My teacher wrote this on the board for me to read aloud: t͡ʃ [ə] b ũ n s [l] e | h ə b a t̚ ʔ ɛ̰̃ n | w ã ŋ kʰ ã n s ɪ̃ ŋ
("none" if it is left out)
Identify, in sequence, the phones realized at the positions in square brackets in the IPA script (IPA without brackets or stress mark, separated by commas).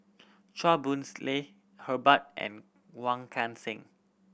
a, l